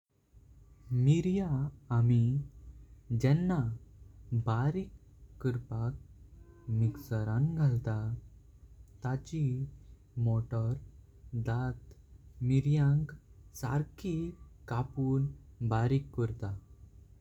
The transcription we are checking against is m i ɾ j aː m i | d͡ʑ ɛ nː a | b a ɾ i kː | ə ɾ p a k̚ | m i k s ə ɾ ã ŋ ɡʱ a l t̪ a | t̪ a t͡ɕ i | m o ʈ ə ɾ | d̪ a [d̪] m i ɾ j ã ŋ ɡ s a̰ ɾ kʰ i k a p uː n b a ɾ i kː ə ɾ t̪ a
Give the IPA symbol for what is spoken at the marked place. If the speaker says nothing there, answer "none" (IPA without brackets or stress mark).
t̪